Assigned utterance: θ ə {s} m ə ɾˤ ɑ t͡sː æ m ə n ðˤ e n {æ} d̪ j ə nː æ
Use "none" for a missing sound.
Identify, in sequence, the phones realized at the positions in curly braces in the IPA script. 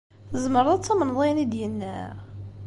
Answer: z, i

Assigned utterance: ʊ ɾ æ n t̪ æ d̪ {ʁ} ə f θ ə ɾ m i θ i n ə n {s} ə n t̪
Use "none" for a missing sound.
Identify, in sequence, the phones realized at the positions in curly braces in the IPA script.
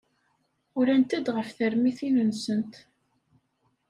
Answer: ʁ, s

